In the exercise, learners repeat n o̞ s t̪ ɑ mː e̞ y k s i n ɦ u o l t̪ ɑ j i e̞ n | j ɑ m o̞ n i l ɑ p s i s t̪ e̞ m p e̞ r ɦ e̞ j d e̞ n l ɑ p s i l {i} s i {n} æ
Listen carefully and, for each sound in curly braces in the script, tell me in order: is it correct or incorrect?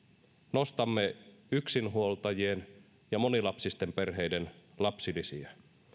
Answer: correct, incorrect

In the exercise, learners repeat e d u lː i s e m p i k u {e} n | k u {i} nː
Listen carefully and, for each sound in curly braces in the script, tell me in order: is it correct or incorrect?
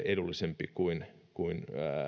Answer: incorrect, correct

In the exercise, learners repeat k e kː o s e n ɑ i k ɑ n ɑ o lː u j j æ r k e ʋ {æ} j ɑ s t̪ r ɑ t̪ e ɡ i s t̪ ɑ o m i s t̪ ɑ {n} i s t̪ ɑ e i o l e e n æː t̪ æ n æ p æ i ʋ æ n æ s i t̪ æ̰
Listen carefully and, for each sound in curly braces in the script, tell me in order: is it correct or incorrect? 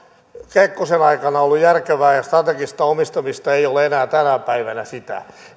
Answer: incorrect, incorrect

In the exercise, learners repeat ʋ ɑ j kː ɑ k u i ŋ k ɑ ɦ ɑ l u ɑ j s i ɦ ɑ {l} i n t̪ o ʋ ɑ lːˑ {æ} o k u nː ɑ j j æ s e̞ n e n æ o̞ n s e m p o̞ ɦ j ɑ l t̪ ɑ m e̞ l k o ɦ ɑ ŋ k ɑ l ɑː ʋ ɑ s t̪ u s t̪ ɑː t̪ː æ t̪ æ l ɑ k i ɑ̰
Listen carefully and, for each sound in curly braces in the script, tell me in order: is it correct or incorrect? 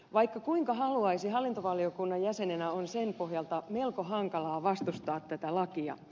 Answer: incorrect, incorrect

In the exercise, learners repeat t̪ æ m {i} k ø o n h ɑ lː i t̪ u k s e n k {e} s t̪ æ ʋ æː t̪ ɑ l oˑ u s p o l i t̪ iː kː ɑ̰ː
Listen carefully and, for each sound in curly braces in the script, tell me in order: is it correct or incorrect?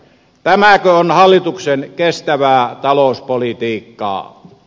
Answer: incorrect, correct

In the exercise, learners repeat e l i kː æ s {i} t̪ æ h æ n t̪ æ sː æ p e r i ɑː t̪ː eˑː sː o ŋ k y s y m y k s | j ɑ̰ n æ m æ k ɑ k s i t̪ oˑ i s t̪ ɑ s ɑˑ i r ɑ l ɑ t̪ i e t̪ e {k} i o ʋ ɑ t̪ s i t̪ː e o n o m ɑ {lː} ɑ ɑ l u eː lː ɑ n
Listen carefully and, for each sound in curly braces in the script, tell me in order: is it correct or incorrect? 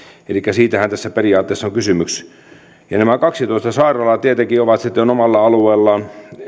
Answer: incorrect, correct, correct

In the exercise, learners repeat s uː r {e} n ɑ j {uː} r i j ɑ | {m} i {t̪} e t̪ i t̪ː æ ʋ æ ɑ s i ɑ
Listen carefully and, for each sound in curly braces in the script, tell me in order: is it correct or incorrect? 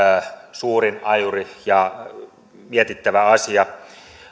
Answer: incorrect, incorrect, correct, incorrect

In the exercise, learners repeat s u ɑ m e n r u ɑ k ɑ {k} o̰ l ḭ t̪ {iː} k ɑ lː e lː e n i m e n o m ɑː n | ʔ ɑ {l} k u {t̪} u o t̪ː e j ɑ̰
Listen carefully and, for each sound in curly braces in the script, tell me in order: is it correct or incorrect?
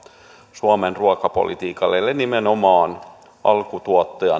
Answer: incorrect, correct, correct, correct

